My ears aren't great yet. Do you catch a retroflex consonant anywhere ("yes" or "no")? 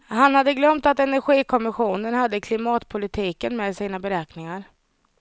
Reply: no